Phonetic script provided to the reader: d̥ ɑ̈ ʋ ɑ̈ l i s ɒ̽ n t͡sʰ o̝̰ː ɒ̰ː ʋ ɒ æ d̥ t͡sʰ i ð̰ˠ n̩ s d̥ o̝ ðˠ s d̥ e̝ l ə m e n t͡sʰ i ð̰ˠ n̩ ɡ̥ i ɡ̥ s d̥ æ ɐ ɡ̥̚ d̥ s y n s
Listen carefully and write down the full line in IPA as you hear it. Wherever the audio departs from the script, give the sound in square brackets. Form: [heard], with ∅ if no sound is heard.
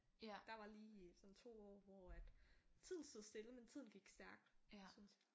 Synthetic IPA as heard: d̥ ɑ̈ ʋ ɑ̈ l [iː] s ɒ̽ n t͡sʰ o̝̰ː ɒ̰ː ʋ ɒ æ d̥ t͡sʰ i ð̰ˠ n̩ s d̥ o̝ ðˠ s d̥ e̝ l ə m e n t͡sʰ i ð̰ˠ n̩ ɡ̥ i ɡ̥ s d̥ æ ɐ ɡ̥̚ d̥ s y n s

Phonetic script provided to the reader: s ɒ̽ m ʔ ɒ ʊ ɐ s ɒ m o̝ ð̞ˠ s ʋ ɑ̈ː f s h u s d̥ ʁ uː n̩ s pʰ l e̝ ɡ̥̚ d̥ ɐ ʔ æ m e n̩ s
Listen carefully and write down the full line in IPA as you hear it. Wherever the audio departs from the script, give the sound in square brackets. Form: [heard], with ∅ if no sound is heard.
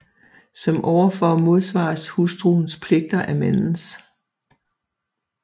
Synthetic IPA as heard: s ɒ̽ m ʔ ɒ ʊ ɐ [f] ɒ m o̝ ð̞ˠ s ʋ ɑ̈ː [∅] s h u s d̥ ʁ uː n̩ s pʰ l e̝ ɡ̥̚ d̥ ɐ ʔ æ m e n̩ s

